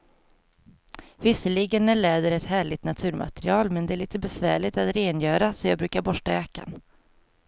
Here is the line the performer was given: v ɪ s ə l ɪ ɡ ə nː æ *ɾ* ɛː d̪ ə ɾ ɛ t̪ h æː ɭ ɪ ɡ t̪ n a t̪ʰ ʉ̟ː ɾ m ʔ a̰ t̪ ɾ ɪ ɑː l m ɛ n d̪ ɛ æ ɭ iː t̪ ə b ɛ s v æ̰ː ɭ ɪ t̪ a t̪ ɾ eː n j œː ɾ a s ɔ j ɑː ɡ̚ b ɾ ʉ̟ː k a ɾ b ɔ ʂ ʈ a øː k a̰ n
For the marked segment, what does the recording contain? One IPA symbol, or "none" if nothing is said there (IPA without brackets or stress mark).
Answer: ɭ